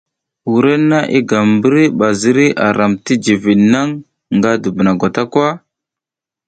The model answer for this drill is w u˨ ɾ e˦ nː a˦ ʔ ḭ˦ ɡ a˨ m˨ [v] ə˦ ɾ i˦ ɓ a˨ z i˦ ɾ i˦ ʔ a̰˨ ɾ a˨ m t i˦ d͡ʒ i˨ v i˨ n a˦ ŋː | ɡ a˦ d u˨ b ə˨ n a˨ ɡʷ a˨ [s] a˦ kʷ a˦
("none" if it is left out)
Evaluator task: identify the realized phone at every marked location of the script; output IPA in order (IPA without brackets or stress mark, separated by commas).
b, t